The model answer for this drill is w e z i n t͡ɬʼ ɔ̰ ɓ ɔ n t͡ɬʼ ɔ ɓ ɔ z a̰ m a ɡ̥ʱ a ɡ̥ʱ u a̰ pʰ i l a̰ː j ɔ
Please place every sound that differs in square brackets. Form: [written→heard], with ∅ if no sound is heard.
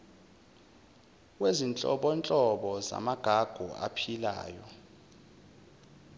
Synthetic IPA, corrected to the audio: w e z i n t͡ɬʼ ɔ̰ ɓ ɔ n t͡ɬʼ ɔ ɓ ɔ z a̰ m a ɡ̥ʱ a ɡ̥ʱ u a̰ pʰ i l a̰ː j ɔ